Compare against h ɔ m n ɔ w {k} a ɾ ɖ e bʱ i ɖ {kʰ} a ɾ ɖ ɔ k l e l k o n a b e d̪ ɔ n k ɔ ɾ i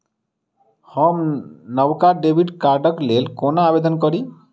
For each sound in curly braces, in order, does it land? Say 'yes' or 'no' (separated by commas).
yes, no